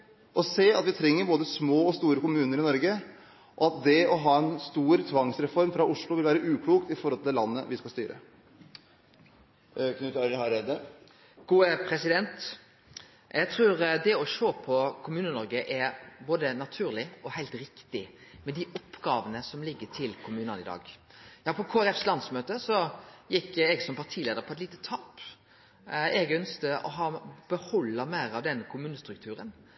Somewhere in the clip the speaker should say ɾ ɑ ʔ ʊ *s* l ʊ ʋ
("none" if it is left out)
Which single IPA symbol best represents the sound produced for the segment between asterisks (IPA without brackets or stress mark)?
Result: ʂ